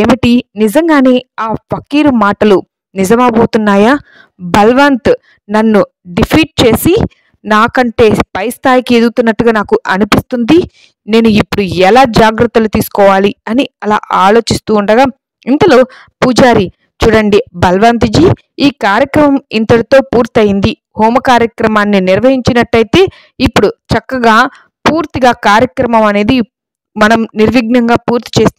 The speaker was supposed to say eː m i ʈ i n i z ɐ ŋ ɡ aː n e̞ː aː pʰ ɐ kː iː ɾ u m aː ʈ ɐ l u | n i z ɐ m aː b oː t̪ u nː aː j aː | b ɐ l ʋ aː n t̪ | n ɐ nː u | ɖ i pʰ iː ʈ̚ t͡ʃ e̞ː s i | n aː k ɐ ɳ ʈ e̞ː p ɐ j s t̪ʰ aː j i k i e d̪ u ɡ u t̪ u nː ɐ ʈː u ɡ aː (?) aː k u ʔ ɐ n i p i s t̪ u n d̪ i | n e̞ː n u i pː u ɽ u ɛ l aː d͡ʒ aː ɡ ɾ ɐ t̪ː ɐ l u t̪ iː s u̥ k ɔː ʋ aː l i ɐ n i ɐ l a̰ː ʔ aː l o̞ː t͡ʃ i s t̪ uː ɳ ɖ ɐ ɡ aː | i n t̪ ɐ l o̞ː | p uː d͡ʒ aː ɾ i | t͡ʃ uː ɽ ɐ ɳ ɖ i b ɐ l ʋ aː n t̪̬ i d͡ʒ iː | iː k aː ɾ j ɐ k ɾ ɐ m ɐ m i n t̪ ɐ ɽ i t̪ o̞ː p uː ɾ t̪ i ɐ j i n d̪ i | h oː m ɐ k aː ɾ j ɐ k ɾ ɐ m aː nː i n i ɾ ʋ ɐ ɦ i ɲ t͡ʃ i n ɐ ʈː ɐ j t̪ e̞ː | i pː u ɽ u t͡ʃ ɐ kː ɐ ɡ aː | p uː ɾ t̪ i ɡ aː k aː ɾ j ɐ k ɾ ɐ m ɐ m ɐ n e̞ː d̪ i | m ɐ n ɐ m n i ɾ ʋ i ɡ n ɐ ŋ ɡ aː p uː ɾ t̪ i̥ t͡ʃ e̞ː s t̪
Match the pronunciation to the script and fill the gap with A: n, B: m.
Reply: A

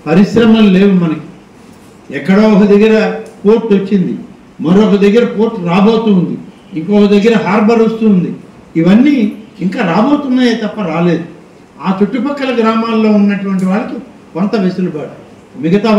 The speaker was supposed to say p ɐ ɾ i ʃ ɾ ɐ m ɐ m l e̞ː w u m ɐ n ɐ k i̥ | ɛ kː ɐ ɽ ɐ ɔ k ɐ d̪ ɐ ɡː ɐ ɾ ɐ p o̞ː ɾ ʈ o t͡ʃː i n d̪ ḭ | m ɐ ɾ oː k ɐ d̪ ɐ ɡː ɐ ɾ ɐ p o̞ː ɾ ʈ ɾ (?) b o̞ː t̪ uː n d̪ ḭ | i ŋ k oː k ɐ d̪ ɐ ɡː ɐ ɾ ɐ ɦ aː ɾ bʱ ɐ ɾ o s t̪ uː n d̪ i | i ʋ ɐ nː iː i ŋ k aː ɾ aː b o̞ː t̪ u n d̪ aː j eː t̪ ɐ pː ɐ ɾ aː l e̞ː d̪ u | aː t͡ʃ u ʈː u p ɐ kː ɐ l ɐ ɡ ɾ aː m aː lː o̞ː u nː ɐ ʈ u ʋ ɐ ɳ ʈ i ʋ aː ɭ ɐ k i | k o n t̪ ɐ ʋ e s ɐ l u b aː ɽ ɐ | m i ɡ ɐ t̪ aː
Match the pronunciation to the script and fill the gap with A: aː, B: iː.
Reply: A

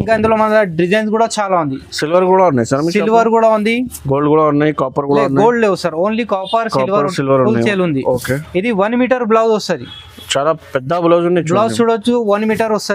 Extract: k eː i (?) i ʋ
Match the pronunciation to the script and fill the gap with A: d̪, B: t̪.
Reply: A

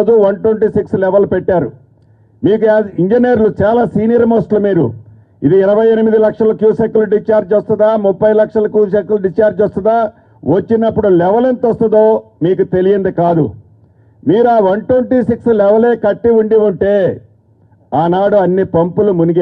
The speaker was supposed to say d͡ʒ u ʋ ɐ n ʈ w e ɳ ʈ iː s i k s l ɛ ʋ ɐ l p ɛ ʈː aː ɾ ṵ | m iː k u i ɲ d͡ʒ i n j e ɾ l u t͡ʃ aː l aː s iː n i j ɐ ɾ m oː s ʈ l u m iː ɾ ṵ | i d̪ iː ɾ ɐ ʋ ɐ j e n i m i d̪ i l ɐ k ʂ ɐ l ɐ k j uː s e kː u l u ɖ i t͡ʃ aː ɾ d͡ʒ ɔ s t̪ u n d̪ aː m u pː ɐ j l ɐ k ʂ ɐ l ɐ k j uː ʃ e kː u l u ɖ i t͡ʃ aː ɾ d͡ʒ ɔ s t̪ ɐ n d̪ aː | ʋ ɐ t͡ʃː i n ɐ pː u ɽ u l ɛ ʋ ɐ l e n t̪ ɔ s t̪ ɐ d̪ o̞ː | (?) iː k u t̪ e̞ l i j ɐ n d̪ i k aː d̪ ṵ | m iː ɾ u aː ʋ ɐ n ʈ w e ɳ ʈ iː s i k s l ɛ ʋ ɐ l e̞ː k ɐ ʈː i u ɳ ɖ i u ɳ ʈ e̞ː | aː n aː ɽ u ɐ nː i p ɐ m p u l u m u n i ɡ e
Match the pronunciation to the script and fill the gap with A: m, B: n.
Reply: A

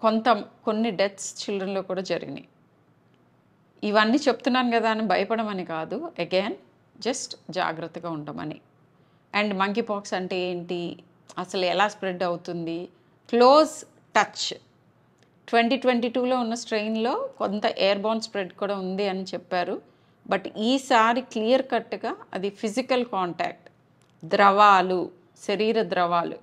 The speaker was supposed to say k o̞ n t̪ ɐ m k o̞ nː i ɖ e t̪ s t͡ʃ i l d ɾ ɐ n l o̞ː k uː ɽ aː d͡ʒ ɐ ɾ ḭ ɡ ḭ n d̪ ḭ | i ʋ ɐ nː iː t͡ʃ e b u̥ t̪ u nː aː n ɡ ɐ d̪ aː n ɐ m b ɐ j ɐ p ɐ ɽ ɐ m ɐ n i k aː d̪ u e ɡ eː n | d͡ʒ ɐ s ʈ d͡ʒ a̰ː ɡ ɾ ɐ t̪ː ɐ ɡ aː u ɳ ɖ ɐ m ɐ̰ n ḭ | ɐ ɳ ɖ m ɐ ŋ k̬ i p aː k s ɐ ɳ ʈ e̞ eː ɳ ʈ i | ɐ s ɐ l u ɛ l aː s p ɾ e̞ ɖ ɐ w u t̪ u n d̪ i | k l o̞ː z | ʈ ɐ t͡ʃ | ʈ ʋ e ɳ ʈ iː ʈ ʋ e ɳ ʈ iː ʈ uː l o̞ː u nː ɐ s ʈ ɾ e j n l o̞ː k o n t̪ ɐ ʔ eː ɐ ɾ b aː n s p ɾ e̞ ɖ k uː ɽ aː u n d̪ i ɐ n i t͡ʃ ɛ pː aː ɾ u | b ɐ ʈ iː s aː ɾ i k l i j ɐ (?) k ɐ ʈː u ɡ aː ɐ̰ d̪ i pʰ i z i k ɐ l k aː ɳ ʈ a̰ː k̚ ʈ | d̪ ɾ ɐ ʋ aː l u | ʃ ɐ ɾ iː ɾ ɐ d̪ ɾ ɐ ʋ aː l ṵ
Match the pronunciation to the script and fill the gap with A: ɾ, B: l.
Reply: A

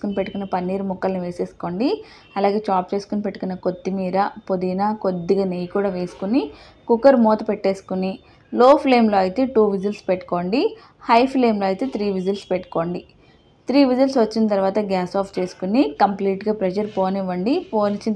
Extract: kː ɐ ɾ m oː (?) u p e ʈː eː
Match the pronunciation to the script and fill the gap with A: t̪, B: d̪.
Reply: A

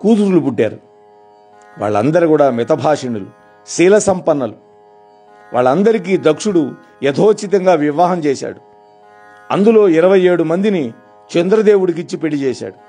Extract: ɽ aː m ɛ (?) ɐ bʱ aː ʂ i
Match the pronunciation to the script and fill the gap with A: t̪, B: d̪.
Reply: A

